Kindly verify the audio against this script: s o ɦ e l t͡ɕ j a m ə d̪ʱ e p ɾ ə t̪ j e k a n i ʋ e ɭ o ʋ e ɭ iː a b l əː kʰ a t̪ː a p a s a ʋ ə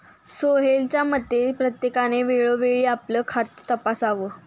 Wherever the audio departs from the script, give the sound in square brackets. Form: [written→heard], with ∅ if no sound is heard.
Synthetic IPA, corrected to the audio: s o ɦ e l t͡ɕ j a m ə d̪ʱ e p ɾ ə t̪ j e k a n [i→e] ʋ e ɭ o ʋ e ɭ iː a [b→p] l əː kʰ a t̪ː [a→ə] p a s a ʋ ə